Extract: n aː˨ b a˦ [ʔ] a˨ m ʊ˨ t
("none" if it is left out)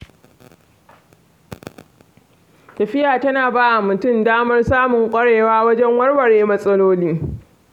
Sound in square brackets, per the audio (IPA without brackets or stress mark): ʔ